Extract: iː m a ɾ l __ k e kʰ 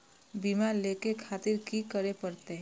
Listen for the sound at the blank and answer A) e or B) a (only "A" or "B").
A